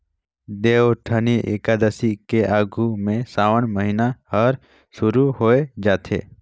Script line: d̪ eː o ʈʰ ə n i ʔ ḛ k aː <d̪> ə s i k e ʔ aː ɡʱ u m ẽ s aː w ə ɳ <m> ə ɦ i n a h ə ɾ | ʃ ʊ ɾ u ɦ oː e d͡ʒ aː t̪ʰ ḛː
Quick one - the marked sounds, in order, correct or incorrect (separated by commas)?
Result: correct, correct